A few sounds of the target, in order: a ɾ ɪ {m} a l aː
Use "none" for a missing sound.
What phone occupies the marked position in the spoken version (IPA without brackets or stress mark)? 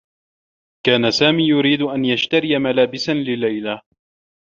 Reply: m